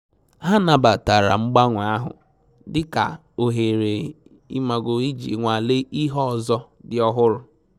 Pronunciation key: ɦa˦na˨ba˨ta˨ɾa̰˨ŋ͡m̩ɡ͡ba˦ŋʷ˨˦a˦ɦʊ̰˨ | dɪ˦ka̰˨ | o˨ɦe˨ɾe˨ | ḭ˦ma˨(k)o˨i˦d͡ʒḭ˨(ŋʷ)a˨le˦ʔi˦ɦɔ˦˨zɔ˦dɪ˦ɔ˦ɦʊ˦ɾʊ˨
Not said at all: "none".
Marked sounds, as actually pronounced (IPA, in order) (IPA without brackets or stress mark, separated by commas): ɡ, ŋʷ